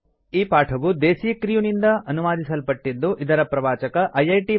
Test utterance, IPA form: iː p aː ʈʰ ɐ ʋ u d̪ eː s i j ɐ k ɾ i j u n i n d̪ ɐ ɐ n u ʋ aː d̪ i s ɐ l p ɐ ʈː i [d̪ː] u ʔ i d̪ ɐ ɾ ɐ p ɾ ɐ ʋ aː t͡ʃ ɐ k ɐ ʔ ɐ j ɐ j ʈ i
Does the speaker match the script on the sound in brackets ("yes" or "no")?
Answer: yes